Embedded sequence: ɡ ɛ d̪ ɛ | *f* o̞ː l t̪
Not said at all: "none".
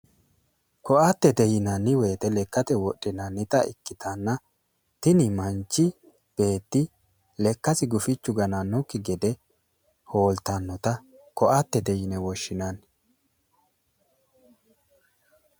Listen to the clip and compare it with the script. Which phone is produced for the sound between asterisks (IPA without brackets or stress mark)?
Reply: h